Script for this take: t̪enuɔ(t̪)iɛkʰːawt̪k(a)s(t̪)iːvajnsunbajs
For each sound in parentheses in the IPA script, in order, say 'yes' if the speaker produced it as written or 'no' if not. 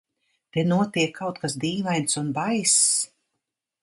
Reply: yes, yes, no

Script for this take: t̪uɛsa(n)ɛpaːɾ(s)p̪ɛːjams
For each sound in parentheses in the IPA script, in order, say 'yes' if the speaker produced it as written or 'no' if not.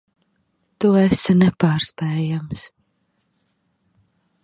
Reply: yes, yes

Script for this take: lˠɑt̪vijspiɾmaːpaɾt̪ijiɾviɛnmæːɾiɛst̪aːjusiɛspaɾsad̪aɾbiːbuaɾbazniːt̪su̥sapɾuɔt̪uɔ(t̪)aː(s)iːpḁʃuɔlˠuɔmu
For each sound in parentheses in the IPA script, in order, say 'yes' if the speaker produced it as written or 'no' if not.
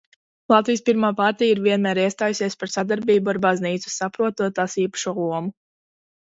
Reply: yes, yes

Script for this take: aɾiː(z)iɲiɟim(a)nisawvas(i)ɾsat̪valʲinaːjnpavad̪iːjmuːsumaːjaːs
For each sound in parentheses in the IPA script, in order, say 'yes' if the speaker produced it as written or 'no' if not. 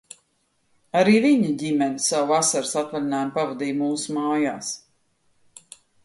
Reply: no, no, no

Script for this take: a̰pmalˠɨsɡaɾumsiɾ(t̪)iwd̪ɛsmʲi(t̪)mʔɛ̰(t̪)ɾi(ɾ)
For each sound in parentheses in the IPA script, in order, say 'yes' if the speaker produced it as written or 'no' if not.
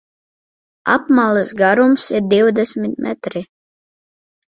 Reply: no, yes, yes, no

